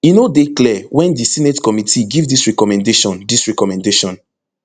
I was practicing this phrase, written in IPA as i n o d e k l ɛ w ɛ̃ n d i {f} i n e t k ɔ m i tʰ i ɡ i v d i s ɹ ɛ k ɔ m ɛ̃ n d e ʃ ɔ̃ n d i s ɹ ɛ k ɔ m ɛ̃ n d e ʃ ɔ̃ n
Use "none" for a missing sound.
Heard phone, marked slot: s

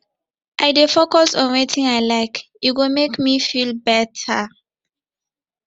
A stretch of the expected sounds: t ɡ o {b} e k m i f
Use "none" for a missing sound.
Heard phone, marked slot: m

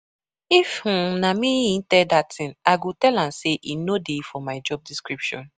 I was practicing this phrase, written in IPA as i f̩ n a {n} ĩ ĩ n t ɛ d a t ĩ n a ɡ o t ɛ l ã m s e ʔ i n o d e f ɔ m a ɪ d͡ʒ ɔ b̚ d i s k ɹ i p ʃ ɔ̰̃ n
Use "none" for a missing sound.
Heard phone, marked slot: m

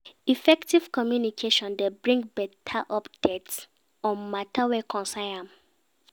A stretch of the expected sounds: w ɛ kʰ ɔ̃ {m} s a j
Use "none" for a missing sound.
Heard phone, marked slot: n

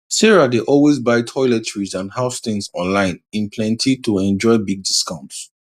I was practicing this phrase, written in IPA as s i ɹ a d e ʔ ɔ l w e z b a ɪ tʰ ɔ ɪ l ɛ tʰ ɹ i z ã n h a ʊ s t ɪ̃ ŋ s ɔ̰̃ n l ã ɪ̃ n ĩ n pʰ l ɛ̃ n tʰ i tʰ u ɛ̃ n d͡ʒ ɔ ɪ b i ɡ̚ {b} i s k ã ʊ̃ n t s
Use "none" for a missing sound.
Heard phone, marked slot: d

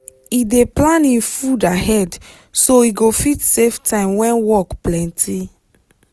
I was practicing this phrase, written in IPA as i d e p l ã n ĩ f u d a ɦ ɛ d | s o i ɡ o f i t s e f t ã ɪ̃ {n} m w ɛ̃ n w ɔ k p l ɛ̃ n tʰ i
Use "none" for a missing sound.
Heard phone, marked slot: none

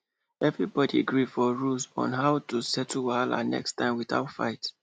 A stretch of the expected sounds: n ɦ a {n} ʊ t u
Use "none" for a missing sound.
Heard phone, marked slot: none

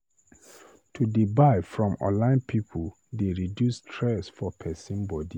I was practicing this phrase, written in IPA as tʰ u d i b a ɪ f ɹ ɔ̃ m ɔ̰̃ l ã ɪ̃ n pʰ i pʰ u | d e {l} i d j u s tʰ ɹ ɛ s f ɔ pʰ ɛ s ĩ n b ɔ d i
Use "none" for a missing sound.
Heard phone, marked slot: ɹ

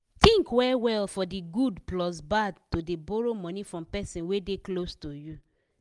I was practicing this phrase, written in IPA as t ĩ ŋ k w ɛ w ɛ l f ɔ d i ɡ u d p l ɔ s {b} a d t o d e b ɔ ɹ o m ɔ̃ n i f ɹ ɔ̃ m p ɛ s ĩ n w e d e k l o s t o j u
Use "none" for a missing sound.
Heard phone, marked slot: b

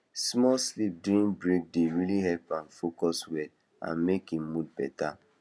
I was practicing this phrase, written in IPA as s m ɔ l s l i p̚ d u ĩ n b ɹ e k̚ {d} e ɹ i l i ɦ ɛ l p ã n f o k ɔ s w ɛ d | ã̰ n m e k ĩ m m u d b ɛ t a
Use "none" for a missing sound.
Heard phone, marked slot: d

